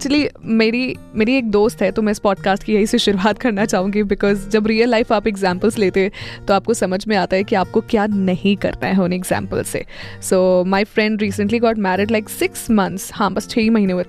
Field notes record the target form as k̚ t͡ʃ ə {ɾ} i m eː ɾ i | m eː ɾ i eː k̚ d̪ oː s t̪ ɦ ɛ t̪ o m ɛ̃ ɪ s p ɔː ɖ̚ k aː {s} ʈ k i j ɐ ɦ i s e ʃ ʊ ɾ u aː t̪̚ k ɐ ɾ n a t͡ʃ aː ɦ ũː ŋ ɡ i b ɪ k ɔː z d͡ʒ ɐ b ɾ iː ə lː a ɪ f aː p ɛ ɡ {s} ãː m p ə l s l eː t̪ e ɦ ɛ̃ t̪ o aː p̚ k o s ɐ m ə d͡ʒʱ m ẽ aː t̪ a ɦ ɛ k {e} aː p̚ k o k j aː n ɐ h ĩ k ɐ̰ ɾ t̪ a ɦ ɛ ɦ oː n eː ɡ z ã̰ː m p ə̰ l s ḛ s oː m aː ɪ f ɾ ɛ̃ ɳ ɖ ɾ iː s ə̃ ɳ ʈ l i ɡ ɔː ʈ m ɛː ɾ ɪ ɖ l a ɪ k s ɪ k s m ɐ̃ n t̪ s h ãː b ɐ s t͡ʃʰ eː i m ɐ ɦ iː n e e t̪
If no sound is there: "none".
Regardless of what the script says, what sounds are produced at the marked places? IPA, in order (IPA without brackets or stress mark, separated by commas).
l, s, z, i